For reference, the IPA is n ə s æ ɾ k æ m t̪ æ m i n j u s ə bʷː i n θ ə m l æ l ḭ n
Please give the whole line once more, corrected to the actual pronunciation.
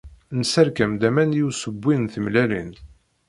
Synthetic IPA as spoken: n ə s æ ɾ k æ m d̪ æ m æ n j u s ə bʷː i n θ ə m l æ l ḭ n

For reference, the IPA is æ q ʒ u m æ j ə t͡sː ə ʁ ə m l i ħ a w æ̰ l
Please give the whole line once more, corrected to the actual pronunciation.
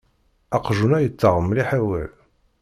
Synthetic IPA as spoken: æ q ʒ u n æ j ə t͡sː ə ʁ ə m l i ħ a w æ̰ l

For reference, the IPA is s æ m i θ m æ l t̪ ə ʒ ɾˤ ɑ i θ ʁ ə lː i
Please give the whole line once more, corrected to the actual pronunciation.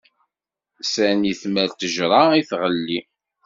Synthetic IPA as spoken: s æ n i θ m æ l t̪ ə ʒ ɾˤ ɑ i θ ʁ ə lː i

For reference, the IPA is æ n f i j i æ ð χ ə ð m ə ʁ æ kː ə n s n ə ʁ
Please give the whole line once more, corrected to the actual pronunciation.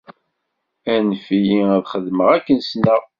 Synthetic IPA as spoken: æ n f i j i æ ð χ ə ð m ə ʁ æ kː ə n s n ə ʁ

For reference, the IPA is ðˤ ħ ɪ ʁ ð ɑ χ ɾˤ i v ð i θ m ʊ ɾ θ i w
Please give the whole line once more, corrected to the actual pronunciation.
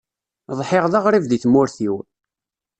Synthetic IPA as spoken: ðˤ ħ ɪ ʁ ð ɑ ʁ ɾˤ i v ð i θ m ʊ ɾ θ i w

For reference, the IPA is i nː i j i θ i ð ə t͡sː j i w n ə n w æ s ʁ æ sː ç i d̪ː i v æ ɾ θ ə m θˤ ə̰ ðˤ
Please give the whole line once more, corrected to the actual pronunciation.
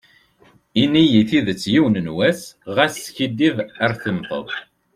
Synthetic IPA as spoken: i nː i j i θ i ð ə t͡sː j i w n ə n w æ s ʁ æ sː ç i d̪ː i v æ ɾ θ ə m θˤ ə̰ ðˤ

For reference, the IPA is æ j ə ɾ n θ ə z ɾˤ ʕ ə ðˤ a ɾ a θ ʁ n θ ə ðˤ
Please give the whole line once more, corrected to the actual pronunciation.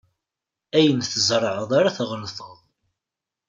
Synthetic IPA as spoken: æ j ə n θ ə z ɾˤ ʕ ə ðˤ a ɾ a θ ʁ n θ ə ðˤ

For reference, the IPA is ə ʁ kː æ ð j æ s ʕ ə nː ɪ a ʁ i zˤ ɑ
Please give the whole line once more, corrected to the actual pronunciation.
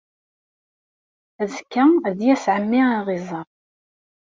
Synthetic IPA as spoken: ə z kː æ ð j æ s ʕ ə mː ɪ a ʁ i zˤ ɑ

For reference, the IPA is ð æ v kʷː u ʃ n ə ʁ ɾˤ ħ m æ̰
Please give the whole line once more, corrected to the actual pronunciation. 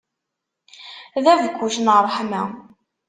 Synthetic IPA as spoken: ð æ v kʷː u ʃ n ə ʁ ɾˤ ħ m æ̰

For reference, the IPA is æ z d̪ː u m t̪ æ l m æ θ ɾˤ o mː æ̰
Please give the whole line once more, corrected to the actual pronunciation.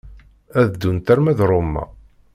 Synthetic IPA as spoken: æ ð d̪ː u n t̪ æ ɾ m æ ð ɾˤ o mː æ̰

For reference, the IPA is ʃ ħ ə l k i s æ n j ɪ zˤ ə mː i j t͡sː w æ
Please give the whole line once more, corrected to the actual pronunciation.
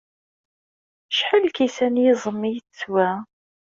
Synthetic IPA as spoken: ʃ ħ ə l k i s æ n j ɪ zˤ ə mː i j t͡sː w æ

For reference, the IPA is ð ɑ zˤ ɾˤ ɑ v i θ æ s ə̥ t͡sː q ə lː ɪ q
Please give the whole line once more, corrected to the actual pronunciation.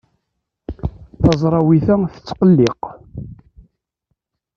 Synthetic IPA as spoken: θ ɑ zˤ ɾˤ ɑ w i θ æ θ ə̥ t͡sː q ə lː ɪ q

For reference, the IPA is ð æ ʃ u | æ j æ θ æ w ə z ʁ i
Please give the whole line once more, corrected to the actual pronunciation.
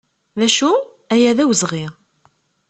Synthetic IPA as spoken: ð æ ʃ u | æ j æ ð æ w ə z ʁ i

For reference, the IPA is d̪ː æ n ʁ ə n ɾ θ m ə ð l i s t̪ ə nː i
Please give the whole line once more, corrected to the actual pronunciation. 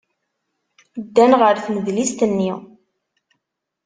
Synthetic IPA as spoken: d̪ː æ n ʁ ə ɾ θ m ə ð l i s t̪ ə nː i

